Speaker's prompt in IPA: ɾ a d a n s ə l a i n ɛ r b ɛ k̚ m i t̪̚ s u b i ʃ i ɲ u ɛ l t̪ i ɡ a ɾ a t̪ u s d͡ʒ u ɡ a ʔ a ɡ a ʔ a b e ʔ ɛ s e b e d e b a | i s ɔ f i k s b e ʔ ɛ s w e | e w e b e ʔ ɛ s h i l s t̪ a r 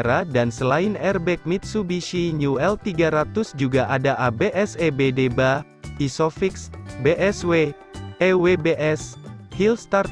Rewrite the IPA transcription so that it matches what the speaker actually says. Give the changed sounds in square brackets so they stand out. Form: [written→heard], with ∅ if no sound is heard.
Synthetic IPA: ɾ a d a n s ə l a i n ɛ r b ɛ k̚ m i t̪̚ s u b i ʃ i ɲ u ɛ l t̪ i ɡ a ɾ a t̪ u s d͡ʒ u ɡ a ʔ a [ɡ→d] a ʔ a b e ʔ ɛ s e b e d e b a | i s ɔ f i k s b e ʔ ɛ s w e | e w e b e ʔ ɛ s h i l s t̪ a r